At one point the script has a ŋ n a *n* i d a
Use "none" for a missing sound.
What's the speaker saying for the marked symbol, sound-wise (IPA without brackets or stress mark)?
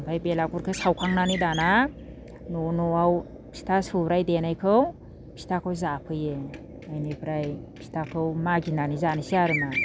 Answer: n